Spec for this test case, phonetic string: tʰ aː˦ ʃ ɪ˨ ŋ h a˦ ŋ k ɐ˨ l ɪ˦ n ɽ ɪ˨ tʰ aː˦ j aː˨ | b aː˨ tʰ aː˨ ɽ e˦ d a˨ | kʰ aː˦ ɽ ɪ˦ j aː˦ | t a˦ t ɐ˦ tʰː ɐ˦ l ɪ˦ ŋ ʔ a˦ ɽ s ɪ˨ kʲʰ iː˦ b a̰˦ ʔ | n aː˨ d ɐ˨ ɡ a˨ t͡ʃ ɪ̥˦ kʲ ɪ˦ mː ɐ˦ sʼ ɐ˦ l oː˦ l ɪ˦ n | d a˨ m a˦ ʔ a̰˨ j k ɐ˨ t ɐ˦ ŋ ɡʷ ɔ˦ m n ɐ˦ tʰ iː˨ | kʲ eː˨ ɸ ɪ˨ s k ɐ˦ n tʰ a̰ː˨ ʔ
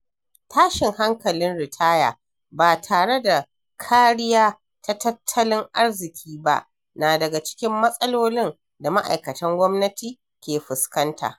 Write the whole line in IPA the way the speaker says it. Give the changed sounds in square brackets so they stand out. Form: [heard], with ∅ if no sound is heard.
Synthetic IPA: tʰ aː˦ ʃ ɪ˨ ŋ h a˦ ŋ k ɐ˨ l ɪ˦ n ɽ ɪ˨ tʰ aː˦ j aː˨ | b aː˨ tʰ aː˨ ɽ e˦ d a˨ | kʰ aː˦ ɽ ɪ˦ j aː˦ | t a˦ t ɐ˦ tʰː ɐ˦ l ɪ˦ ŋ ʔ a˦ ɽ [z] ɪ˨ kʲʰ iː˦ b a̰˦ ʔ | n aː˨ d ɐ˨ ɡ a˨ t͡ʃ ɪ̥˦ kʲ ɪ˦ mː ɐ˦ sʼ ɐ˦ l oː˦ l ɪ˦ n | d a˨ m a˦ ʔ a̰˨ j k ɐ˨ t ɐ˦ ŋ ɡʷ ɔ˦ m n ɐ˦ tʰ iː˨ | kʲ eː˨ ɸ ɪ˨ s k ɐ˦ n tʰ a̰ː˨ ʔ

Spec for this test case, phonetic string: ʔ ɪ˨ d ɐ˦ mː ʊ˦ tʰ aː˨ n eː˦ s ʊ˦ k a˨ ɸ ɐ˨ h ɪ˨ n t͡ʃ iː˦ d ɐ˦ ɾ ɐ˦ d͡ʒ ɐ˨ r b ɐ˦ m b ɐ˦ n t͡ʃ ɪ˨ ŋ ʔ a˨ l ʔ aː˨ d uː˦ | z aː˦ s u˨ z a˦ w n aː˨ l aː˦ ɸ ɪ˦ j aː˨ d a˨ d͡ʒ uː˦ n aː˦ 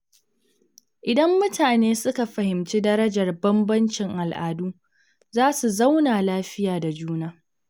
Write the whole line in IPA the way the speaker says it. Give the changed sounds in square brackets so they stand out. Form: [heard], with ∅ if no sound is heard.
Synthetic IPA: ʔ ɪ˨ d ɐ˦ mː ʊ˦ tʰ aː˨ n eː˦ s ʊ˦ k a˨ ɸ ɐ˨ h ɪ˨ [m] t͡ʃ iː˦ d ɐ˦ ɾ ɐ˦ d͡ʒ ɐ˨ r b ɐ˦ m b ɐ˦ n t͡ʃ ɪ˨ ŋ ʔ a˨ l ʔ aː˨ d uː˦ | z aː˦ s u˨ z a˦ w n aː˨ l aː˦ ɸ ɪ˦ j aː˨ d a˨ d͡ʒ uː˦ n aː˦

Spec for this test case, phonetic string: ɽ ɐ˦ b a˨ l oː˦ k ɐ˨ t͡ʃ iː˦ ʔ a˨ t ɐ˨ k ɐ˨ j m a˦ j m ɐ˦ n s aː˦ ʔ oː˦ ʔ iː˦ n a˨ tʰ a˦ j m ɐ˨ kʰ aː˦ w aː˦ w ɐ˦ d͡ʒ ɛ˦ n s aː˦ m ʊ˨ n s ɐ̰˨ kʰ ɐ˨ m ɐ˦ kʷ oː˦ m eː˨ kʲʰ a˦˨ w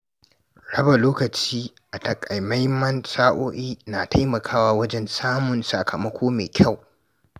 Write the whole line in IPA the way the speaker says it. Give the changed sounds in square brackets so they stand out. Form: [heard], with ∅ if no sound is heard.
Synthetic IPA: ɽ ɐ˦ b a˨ l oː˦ k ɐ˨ t͡ʃ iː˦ ʔ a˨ t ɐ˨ [kʼ] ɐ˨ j m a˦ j m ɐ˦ n s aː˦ ʔ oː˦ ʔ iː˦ n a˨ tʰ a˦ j m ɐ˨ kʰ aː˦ w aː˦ w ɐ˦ d͡ʒ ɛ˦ n s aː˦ m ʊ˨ n s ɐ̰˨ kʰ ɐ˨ m ɐ˦ kʷ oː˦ m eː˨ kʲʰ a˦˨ w

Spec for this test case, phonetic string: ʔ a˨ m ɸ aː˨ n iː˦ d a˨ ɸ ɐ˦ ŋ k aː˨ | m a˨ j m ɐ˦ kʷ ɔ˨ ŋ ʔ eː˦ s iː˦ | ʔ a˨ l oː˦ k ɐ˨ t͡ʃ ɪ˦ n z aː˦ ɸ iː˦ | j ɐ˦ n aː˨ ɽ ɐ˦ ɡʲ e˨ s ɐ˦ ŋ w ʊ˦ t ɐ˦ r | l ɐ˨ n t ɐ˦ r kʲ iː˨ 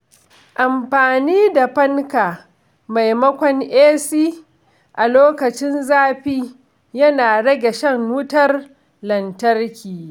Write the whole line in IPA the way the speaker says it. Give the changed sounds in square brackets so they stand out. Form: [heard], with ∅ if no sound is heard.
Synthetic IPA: ʔ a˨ m ɸ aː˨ n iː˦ d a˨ ɸ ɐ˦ ŋ k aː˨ | m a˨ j m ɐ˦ kʷ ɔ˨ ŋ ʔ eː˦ s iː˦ | ʔ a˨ l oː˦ k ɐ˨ t͡ʃ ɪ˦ n z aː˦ ɸ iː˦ | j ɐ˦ n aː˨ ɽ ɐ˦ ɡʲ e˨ [ʃ] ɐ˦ ŋ w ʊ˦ t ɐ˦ r | l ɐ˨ n t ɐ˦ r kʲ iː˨

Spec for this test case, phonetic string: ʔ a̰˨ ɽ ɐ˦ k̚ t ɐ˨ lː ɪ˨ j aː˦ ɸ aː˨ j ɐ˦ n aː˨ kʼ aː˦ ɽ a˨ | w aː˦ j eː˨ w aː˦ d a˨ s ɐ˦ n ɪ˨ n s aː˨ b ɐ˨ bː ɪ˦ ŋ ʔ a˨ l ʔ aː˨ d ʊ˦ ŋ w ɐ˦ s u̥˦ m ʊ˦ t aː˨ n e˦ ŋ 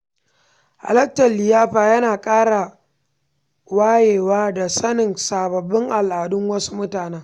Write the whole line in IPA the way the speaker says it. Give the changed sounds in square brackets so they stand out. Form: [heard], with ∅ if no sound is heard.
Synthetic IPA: ʔ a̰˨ [l] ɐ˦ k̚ t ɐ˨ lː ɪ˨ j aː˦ ɸ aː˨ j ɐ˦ n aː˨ kʼ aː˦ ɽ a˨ | w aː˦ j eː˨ w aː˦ d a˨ s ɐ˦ n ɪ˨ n s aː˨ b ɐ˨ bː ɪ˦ ŋ ʔ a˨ l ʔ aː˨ d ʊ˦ ŋ w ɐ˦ s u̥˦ m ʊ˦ t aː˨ n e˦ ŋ

